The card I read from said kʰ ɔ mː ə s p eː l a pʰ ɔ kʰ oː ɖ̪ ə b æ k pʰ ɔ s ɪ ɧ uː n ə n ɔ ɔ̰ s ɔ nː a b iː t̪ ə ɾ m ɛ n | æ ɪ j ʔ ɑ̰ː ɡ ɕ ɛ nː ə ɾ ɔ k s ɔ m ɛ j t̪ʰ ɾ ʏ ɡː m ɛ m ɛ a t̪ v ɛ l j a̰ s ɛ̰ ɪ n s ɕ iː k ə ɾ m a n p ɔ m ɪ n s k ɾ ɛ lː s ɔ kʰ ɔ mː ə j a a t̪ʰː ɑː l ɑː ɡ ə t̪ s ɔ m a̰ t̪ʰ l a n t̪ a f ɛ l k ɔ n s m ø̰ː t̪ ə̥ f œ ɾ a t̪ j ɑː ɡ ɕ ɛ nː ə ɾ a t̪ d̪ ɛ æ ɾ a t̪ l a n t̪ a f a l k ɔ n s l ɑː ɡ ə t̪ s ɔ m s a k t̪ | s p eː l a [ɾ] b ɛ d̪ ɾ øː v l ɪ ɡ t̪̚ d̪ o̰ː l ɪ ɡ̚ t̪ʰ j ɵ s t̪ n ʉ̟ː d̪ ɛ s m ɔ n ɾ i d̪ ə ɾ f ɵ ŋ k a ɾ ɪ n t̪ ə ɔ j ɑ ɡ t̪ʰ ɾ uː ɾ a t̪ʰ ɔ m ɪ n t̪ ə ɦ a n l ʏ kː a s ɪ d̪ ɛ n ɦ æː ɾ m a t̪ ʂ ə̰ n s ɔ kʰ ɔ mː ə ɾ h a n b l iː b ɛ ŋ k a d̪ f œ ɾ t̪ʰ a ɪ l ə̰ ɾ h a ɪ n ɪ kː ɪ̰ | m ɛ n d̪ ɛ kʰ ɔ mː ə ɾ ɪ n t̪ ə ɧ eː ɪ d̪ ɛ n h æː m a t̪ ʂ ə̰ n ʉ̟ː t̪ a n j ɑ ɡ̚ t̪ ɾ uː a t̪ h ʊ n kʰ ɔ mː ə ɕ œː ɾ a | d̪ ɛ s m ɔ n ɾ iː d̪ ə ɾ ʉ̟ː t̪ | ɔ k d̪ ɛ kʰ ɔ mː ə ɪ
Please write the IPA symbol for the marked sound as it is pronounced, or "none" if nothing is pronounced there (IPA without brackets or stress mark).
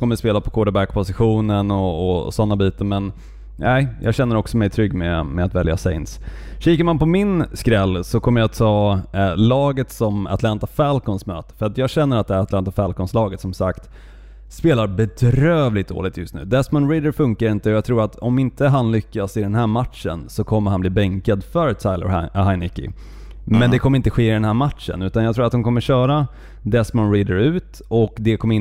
ɾ